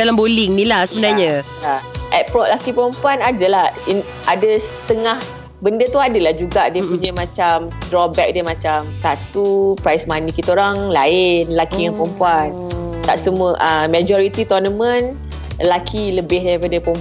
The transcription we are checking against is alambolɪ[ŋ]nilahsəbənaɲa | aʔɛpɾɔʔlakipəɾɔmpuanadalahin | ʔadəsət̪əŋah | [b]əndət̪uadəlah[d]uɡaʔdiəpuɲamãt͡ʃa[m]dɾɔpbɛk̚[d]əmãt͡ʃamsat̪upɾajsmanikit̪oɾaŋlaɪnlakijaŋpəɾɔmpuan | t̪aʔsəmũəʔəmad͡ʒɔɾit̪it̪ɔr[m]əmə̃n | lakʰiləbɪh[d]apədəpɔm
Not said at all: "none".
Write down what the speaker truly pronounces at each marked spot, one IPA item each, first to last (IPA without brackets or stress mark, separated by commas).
ŋ, b, d͡ʒ, m, d, n, d